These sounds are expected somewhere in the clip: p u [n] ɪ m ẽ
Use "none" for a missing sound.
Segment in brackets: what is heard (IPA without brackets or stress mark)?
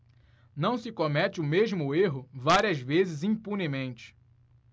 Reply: n